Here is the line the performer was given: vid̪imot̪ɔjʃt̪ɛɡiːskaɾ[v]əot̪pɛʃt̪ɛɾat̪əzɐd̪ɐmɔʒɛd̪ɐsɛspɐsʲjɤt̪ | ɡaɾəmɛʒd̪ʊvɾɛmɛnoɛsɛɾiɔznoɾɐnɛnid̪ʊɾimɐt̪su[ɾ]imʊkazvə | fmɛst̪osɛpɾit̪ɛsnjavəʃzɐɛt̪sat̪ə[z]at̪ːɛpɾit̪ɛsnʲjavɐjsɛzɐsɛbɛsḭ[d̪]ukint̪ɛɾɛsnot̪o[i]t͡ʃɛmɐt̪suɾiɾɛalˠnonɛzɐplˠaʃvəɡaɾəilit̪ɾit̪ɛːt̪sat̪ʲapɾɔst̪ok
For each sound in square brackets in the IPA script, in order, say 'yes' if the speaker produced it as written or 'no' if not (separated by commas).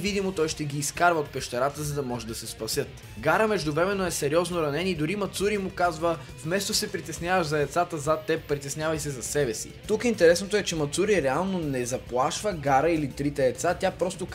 yes, yes, yes, no, no